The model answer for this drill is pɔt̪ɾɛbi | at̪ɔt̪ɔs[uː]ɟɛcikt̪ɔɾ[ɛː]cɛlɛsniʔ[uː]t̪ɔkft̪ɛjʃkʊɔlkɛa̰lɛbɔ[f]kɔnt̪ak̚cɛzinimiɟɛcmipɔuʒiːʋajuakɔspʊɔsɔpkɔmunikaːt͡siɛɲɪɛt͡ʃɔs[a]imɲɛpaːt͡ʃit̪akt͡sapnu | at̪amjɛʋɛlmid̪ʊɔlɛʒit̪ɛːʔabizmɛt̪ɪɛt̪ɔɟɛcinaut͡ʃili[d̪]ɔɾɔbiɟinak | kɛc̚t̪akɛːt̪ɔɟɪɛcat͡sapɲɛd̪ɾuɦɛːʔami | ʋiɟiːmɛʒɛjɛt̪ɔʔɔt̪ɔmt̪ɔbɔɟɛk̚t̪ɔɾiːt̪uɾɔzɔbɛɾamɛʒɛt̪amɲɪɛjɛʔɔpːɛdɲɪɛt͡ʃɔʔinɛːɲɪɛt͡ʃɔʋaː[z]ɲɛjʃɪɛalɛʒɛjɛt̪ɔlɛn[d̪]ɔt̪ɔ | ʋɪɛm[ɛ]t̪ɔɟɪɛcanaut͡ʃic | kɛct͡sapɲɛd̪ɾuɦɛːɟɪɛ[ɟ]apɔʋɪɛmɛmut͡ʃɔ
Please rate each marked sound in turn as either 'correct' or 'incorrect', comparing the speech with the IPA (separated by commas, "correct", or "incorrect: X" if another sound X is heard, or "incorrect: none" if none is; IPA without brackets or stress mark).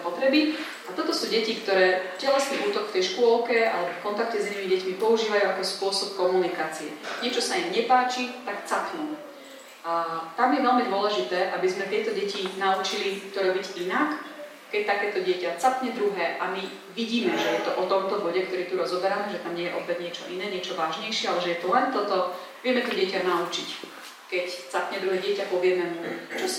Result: correct, correct, correct, correct, correct, incorrect: t̪, incorrect: ʒ, incorrect: t̪, correct, incorrect: c